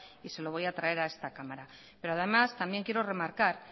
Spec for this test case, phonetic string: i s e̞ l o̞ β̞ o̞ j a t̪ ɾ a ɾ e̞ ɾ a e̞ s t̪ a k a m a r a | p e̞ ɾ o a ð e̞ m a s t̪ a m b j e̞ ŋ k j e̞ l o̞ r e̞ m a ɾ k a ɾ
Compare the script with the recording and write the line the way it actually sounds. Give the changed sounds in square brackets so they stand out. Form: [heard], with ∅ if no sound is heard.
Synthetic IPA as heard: i s e̞ l o̞ β̞ o̞ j a t̪ ɾ a [∅] e̞ ɾ a e̞ s t̪ a k a m a [ɾ] a | p e̞ ɾ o a ð e̞ m a s t̪ a m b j e̞ ŋ k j e̞ [ɾ] o̞ r e̞ m a ɾ k a ɾ